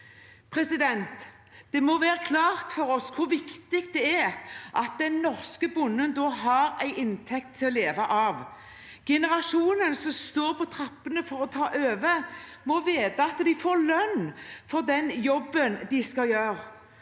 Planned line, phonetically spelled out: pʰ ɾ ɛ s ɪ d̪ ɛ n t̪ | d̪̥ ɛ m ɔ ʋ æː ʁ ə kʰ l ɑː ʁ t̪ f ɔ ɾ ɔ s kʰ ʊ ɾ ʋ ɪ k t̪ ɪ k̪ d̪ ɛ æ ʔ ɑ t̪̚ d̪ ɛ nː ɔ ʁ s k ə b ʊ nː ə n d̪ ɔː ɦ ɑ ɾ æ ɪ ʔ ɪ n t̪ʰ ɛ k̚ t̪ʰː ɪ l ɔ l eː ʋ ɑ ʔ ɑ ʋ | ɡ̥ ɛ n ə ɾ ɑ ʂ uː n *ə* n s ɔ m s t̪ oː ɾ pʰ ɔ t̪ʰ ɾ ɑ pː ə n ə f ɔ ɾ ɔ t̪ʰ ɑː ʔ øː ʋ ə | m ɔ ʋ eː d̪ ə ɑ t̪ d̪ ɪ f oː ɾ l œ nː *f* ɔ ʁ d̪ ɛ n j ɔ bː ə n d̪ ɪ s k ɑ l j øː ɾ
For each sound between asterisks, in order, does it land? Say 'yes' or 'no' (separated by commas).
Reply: yes, yes